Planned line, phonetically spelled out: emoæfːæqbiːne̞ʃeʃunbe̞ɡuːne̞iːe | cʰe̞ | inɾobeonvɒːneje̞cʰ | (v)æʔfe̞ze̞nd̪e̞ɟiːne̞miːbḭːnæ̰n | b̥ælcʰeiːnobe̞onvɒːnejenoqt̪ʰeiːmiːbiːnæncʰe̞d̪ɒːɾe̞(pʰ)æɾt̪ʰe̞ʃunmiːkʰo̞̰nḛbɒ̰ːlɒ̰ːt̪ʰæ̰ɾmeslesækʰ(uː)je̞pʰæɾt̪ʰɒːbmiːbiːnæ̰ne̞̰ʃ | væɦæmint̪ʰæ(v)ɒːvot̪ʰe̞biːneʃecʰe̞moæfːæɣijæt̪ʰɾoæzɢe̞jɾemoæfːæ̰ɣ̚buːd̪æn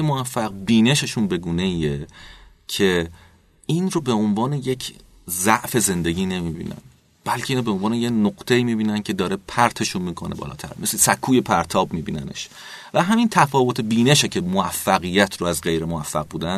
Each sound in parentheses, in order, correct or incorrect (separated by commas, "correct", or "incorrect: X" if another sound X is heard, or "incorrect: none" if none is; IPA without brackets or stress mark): incorrect: z, correct, correct, incorrect: f